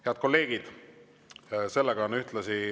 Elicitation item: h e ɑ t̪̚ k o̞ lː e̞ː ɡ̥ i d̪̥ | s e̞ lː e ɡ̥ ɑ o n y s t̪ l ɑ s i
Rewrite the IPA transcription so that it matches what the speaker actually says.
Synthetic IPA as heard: h e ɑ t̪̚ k o̞ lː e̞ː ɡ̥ i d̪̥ | s e̞ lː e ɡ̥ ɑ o n y h t̪ l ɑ s i